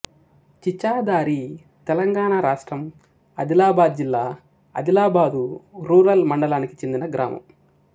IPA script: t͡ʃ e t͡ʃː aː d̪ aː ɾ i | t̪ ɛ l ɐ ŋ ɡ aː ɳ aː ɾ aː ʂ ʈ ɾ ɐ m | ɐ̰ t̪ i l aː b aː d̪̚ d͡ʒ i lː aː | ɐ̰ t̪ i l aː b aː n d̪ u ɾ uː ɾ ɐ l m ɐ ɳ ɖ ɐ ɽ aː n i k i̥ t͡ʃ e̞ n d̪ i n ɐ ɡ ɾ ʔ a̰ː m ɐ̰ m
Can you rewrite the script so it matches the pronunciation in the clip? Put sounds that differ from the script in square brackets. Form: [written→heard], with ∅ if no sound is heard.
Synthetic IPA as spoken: t͡ʃ [e→i] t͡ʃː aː d̪ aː ɾ i | t̪ ɛ l ɐ ŋ ɡ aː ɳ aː ɾ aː ʂ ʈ ɾ ɐ m | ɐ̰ [t̪→d̪] i l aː b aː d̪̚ d͡ʒ i lː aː | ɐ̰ [t̪→d̪] i l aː b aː [n→∅] d̪ u ɾ uː ɾ ɐ l m ɐ ɳ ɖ ɐ [ɽ→l] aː n i k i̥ t͡ʃ e̞ n d̪ i n ɐ ɡ ɾ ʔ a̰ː m ɐ̰ m